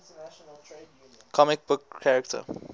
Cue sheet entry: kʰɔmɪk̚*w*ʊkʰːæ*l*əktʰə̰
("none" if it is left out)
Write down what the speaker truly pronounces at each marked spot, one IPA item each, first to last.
b, ɹ

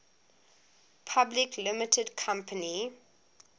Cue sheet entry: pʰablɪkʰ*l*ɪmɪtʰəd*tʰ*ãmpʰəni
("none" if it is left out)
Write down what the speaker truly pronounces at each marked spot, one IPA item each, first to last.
l, kʰ

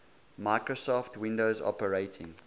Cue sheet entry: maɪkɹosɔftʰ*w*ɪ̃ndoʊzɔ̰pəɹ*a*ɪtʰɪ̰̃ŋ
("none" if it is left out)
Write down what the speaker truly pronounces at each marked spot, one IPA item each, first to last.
w, e

